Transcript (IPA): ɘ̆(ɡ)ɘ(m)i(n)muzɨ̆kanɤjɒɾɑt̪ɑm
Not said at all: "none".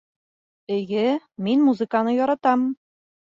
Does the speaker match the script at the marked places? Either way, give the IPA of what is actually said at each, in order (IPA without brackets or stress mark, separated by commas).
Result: ɡ, m, n